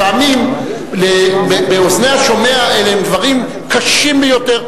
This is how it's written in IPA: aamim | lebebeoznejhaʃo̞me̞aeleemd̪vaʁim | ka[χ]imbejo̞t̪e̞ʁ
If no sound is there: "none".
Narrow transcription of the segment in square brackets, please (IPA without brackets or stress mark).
ʃ